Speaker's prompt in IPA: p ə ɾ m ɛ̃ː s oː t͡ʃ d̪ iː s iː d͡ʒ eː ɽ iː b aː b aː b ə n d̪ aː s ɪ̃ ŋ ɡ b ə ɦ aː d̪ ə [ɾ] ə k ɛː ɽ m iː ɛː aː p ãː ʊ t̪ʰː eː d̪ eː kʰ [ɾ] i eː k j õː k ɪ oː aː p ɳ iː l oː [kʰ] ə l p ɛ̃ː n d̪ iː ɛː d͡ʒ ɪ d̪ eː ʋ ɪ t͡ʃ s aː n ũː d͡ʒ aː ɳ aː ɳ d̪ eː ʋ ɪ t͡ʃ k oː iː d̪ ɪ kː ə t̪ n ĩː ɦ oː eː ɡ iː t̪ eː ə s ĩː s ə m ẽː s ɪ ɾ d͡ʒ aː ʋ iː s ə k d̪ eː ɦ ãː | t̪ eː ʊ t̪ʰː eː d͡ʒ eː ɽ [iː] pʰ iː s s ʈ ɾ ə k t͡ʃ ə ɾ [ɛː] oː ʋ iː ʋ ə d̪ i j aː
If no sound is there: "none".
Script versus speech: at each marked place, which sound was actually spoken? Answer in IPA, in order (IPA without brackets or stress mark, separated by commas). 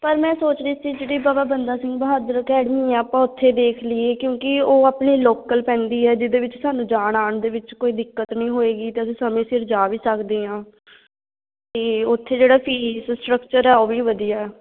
ɾ, l, k, aː, ɛː